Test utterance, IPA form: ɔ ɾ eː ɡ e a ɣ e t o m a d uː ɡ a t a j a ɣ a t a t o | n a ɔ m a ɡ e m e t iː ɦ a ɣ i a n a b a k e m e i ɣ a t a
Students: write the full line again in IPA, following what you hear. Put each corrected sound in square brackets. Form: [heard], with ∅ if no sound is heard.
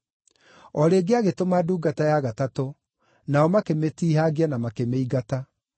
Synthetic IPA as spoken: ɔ ɾ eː ɡ e a ɣ e t o m a d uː ɡ a t a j a ɣ a t a t o | n a ɔ m a [k] e m e t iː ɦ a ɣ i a n a [m] a k e m e i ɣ a t a